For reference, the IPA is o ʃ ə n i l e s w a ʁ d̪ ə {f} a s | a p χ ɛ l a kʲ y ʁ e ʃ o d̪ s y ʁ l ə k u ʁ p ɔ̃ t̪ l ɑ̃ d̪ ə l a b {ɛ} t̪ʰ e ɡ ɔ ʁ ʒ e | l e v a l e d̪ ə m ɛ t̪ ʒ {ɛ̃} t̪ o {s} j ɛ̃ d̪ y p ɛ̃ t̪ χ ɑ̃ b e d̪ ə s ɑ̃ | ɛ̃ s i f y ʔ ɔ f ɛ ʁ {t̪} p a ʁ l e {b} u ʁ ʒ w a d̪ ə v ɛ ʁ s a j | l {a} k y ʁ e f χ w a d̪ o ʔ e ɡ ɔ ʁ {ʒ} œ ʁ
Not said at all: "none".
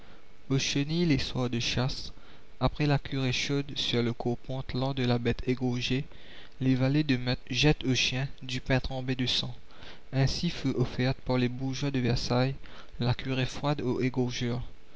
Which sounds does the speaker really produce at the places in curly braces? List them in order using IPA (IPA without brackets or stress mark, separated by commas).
ʃ, ɛ, ɛ, ʃ, t̪, b, a, ʒ